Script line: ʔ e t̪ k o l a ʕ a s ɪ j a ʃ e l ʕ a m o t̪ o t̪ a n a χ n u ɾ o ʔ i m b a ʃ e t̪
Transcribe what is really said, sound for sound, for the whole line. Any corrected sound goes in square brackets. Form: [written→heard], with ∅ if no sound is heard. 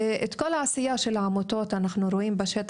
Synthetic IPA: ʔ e t̪ k o l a ʕ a s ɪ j a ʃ e l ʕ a m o t̪ o t̪ a n a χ n u ɾ o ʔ i m b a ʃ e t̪

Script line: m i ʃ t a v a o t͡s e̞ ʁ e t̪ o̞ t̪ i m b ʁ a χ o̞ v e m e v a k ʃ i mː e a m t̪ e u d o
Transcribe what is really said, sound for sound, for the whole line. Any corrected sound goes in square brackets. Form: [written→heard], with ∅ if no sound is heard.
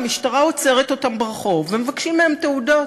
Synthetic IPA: m i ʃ t a [v→ʁ] a o t͡s e̞ ʁ e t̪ o̞ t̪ [i→a] m b ʁ a χ o̞ v e m e v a k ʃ i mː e [a→e] m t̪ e u d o

